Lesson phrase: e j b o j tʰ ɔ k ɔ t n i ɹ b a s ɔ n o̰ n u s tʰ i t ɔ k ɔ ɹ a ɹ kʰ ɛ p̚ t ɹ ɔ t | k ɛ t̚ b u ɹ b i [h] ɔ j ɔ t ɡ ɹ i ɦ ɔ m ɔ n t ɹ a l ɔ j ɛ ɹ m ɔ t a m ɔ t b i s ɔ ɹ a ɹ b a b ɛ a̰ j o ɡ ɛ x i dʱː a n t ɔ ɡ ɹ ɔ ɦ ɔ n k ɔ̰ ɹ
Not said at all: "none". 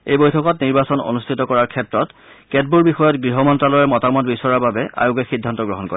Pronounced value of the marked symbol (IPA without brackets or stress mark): x